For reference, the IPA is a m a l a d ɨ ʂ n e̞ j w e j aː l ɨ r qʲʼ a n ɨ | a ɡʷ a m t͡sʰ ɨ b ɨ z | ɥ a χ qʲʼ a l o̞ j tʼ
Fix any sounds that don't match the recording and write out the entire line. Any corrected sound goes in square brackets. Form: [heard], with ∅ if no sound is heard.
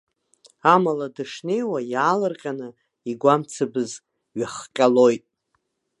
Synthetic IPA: a m a l a d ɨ ʂ n e̞ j w [a] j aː l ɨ r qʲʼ a n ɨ | [i] ɡʷ a m t͡sʰ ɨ b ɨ z | ɥ a χ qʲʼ a l o̞ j tʼ